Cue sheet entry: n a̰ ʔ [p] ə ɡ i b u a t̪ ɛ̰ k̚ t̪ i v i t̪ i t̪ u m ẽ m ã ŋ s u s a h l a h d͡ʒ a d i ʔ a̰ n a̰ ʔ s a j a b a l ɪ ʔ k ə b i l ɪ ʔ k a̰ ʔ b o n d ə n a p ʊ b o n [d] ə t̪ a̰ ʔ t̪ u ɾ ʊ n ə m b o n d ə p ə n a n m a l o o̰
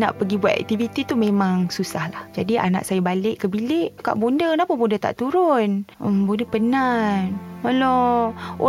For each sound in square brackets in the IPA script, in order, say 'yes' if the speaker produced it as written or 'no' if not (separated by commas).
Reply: yes, yes